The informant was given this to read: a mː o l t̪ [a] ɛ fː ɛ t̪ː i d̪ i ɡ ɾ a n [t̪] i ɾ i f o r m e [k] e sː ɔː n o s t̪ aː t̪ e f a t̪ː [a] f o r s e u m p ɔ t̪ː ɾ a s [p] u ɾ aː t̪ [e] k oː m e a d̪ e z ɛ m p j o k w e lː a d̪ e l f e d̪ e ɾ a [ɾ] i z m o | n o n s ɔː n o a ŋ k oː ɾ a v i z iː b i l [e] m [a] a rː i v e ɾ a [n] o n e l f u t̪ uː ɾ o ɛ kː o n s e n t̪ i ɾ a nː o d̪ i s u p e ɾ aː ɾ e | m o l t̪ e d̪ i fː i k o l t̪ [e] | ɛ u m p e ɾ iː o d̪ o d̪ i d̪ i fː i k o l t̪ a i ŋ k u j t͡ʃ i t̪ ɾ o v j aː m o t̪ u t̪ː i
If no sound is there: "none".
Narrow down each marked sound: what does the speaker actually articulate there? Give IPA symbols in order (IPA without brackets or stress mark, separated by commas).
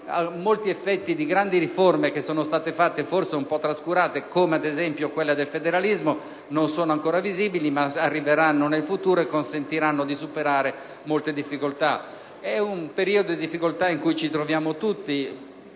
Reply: i, d̪, k, e, k, e, l, i, a, nː, a